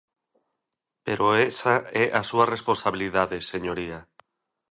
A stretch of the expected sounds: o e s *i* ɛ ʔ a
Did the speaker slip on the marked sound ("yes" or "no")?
yes